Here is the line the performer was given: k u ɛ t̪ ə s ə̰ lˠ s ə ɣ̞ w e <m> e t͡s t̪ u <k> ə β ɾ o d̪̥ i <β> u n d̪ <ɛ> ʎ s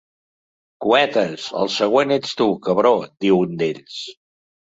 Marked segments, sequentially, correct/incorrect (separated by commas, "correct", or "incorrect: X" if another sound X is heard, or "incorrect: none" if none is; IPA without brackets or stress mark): incorrect: n, correct, incorrect: w, incorrect: e